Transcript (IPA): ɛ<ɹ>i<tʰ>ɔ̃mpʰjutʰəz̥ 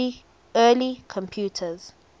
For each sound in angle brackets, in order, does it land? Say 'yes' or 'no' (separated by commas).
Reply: no, no